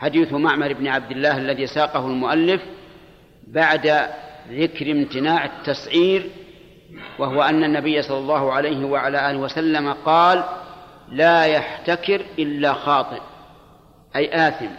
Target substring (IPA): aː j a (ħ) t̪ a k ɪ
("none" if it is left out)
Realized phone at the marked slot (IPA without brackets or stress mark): ħ